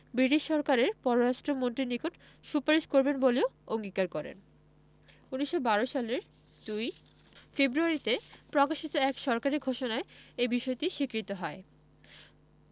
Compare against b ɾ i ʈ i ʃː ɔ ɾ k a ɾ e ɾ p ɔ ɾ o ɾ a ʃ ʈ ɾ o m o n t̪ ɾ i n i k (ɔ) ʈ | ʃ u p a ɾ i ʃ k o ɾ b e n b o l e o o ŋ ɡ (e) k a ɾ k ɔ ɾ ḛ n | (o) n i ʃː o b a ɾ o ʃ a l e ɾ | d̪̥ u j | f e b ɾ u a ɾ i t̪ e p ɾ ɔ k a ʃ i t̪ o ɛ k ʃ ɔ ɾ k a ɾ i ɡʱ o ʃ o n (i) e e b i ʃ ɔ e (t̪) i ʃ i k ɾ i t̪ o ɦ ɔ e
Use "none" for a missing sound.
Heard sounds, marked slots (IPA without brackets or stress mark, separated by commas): o, i, u, a, t̪